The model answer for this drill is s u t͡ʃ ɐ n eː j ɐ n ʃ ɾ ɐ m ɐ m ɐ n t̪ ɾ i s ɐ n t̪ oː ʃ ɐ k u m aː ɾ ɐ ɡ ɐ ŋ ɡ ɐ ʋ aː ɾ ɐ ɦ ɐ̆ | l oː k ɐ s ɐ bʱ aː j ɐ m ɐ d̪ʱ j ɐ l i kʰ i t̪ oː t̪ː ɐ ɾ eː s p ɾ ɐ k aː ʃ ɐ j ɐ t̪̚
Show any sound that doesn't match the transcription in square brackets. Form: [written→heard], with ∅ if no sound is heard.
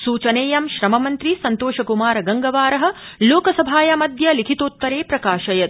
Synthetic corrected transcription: s [u→uː] t͡ʃ ɐ n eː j ɐ [n→m] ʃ ɾ ɐ m ɐ m ɐ n t̪ ɾ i s ɐ n t̪ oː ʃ ɐ k u m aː ɾ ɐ ɡ ɐ ŋ ɡ ɐ ʋ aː ɾ ɐ ɦ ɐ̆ | l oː k ɐ s ɐ bʱ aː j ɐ m ɐ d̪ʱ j ɐ l i kʰ i t̪ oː t̪ː ɐ ɾ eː [s→∅] p ɾ ɐ k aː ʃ ɐ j ɐ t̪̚